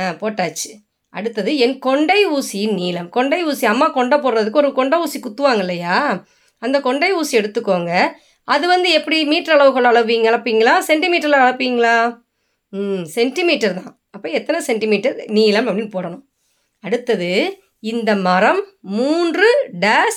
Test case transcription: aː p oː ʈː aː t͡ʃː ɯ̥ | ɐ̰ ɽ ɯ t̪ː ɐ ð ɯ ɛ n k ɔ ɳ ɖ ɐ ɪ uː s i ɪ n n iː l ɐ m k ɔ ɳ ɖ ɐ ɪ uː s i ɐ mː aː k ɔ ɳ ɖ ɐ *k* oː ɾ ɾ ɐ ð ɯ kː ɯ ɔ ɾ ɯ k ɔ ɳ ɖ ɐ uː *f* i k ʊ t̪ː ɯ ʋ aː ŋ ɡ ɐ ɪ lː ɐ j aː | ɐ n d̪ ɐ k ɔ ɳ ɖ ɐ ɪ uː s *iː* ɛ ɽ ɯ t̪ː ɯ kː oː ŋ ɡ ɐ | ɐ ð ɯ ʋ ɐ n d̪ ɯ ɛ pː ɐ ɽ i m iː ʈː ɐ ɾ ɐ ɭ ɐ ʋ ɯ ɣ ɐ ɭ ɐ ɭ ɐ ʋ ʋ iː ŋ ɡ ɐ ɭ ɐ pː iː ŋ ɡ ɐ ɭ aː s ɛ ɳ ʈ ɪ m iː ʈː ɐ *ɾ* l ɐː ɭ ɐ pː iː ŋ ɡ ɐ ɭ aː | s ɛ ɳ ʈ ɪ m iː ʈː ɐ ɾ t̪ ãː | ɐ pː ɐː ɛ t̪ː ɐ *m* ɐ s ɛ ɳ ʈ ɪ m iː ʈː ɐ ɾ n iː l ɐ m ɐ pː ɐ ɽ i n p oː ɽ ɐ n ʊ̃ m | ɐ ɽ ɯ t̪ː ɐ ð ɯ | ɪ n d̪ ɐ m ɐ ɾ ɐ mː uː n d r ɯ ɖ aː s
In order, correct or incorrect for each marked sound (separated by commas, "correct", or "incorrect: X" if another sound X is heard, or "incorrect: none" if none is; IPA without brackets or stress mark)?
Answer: incorrect: p, incorrect: s, incorrect: i, correct, incorrect: n